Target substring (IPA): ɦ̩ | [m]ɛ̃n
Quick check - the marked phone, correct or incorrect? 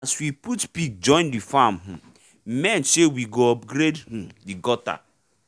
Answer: correct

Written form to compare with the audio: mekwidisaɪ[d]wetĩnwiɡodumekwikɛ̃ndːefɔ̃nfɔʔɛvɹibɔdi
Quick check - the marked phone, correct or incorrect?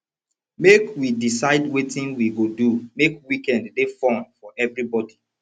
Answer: correct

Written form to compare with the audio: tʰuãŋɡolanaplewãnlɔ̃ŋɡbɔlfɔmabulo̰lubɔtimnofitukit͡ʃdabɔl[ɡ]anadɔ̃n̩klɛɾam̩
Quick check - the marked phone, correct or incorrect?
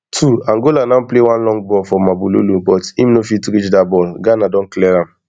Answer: correct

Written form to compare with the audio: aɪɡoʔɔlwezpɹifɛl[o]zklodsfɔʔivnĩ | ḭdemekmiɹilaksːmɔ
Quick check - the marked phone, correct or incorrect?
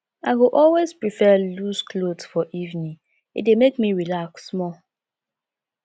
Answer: incorrect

